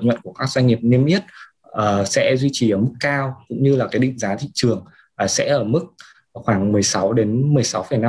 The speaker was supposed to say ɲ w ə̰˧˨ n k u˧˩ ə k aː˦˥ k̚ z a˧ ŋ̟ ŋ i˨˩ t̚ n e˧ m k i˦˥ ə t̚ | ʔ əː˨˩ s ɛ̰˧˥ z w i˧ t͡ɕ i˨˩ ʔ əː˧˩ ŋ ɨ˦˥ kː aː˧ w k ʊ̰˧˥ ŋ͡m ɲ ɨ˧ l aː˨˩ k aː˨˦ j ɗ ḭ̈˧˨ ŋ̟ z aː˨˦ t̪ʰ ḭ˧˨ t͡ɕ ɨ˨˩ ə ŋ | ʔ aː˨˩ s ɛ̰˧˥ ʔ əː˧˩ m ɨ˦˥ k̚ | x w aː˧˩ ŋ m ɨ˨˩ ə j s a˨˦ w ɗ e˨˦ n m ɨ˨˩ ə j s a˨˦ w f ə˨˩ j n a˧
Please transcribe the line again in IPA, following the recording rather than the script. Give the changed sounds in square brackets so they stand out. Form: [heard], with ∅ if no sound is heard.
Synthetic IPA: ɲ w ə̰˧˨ n k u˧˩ ə k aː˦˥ k̚ z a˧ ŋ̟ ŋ i˨˩ [p̚] n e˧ m [ʔ] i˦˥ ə t̚ | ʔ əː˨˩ s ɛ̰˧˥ z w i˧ t͡ɕ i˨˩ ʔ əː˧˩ [m] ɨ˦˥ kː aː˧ w k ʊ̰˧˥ ŋ͡m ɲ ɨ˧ l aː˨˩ k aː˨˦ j ɗ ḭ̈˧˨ ŋ̟ z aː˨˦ t̪ʰ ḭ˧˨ t͡ɕ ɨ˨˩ ə ŋ | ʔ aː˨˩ s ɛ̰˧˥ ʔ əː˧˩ m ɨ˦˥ k̚ | x w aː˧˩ ŋ m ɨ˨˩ ə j s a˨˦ w ɗ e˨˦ n m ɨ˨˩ ə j s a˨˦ w f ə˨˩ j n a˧